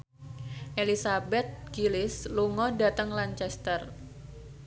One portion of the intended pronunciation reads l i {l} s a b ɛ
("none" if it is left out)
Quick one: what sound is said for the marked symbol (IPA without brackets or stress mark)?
none